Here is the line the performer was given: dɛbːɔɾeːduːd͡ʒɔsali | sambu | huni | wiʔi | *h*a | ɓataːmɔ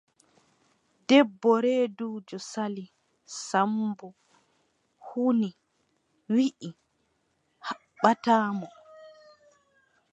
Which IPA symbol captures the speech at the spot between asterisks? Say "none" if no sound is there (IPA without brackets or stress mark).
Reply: h